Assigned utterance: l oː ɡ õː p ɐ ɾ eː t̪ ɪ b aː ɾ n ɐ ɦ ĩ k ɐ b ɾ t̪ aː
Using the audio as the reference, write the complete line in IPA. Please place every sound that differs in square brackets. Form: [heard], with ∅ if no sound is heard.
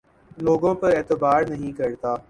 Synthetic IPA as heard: l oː ɡ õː p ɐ ɾ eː t̪ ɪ b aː ɾ n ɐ ɦ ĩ k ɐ [∅] ɾ t̪ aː